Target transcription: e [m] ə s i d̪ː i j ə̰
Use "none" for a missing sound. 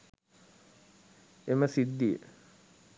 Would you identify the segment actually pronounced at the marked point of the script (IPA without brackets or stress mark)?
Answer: m